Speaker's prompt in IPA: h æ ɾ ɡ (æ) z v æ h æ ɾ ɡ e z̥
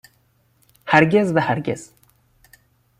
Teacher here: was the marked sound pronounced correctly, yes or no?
no